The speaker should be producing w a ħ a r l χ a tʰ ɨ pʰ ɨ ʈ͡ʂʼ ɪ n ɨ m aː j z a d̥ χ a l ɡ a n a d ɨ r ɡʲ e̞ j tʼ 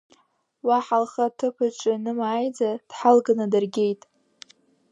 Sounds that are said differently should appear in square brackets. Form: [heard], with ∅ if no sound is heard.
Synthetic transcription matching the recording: w a ħ a [∅] l χ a tʰ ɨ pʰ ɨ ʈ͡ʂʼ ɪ n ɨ m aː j [d͡z] a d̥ [ħ] a l ɡ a n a d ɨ r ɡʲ e̞ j tʼ